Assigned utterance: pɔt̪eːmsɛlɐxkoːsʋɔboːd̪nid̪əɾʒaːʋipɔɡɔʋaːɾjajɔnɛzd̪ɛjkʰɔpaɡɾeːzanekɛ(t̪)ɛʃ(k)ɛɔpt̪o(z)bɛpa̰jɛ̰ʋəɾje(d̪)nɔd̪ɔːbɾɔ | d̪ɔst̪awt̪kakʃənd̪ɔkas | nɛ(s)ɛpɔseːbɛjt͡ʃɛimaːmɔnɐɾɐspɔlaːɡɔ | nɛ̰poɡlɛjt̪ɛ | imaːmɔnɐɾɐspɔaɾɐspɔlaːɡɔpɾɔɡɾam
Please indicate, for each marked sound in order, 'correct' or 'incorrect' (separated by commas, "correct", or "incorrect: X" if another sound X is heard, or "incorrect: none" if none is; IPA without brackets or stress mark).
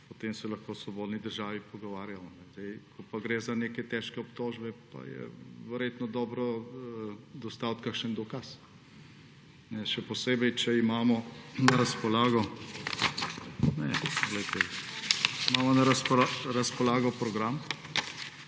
correct, correct, incorrect: ʒ, incorrect: t̪, incorrect: ʃ